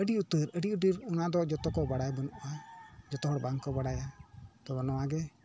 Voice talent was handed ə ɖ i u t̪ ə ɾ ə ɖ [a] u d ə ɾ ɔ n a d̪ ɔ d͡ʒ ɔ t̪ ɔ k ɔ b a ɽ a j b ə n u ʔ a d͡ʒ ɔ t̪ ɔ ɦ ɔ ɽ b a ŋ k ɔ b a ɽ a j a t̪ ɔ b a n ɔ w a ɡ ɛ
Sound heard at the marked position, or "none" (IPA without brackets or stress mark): i